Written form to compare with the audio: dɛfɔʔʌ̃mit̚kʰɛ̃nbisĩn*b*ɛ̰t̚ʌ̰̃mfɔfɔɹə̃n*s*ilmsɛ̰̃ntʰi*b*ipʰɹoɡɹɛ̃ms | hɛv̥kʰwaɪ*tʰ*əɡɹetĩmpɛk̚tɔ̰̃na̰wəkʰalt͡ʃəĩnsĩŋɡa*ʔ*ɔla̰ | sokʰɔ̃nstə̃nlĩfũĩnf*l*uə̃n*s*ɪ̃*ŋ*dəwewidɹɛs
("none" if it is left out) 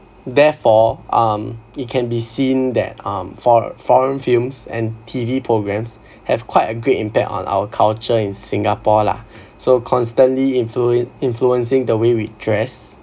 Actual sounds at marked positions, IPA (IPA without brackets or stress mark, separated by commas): d, f, v, t, p, l, s, ŋ